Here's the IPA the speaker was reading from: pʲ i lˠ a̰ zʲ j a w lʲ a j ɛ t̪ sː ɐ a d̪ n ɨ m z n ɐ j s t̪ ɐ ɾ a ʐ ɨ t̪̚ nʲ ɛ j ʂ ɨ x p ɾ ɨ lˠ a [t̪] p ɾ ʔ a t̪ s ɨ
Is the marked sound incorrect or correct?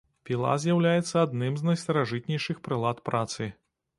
correct